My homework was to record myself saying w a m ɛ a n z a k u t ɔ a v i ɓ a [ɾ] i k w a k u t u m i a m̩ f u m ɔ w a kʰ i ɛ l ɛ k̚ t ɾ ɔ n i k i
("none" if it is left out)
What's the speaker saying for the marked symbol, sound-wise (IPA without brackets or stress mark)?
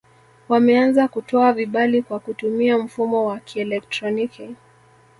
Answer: l